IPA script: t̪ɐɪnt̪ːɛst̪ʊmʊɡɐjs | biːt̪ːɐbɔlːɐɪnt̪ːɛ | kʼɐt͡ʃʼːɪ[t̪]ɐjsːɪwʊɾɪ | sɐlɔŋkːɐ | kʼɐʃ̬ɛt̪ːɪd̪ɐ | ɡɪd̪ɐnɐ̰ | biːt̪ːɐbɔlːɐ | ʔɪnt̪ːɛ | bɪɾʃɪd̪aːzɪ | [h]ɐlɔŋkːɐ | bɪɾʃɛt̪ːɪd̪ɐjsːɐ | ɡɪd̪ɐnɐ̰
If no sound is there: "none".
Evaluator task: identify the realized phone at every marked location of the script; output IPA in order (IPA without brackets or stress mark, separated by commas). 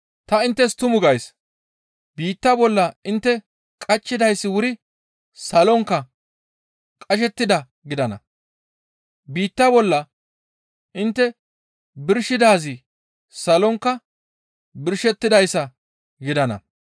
d̪, s